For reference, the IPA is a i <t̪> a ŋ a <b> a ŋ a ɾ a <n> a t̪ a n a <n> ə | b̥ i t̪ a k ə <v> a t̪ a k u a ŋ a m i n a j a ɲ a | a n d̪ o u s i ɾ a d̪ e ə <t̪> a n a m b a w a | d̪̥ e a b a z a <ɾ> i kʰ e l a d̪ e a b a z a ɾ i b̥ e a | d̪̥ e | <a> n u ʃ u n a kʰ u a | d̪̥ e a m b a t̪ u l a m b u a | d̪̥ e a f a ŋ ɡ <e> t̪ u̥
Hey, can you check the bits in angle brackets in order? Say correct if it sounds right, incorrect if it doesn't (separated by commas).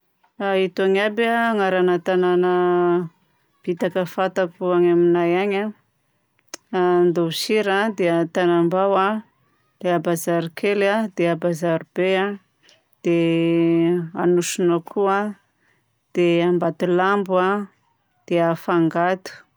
correct, correct, correct, correct, incorrect, correct, correct, correct, incorrect